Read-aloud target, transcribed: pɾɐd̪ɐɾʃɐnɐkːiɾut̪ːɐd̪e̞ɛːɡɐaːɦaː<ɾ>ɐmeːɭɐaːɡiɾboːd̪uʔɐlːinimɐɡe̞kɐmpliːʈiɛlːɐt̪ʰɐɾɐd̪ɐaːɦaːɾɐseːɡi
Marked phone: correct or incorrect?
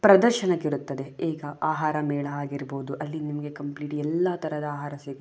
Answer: correct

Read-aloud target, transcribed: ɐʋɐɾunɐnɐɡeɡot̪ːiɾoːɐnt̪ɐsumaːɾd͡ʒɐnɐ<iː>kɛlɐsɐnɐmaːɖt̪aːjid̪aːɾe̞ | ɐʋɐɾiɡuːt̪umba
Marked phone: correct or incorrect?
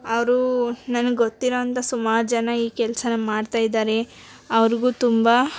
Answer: correct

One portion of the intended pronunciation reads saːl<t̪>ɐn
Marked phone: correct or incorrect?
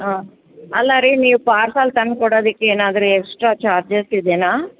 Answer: correct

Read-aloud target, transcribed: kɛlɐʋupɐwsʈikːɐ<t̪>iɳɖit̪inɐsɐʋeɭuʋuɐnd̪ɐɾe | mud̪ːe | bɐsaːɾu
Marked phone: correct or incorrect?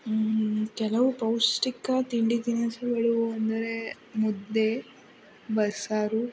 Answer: correct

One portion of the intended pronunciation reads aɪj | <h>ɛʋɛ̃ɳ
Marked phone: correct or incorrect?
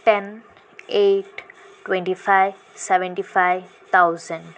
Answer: incorrect: s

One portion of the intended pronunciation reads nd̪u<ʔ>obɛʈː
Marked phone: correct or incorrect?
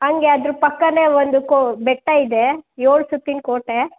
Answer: incorrect: k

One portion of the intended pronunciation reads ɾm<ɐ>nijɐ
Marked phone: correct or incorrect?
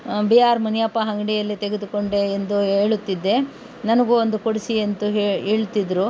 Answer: correct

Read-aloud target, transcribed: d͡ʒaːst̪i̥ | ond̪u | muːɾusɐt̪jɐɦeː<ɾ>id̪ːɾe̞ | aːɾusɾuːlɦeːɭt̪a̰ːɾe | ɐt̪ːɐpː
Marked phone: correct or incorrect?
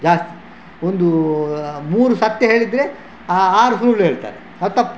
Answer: incorrect: ɭ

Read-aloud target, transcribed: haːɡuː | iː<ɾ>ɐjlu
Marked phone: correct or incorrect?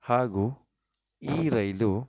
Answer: correct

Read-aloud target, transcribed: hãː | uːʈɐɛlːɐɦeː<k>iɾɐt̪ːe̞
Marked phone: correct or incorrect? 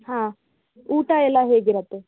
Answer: incorrect: ɡ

